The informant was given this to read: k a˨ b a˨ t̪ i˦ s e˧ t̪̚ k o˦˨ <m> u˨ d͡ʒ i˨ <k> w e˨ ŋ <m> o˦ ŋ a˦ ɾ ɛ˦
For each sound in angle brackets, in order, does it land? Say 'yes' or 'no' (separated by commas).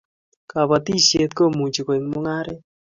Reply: yes, yes, yes